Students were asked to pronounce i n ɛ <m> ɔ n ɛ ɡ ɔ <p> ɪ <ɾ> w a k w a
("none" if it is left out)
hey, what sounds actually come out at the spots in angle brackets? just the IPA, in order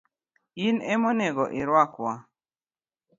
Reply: m, ʔ, ɾ

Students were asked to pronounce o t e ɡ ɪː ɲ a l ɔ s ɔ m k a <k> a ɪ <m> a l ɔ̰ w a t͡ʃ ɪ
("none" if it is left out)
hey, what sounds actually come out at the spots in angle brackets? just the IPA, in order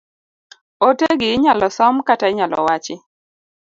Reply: t, ɲ

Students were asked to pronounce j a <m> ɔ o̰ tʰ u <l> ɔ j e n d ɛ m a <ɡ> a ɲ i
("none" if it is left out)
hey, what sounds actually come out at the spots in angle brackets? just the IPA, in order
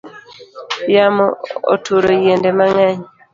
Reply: m, ɾ, ŋ

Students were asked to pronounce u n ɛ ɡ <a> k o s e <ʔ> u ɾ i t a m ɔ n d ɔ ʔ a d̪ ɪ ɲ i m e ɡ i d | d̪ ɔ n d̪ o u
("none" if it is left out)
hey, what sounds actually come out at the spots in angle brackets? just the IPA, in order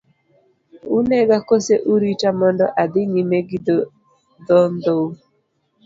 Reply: a, ʔ

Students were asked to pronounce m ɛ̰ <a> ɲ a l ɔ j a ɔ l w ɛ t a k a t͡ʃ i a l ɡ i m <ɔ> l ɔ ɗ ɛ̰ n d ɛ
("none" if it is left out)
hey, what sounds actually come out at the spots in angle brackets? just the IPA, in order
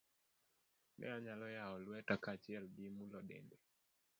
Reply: a, u

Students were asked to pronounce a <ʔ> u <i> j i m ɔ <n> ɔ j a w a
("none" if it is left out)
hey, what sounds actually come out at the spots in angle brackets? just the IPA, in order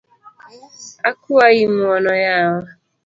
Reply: k, a, n

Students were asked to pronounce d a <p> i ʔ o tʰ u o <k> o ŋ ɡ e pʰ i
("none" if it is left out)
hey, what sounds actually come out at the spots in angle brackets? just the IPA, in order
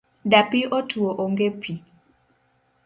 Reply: p, ʔ

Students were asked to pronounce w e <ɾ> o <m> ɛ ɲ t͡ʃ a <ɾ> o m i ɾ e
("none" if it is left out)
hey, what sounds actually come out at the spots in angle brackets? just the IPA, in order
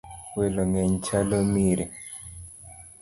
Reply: l, ŋ, l

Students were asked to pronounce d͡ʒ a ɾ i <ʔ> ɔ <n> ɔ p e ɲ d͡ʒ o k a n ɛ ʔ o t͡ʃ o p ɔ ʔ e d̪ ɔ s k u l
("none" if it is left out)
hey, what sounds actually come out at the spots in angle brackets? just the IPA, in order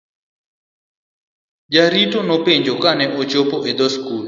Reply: t, n

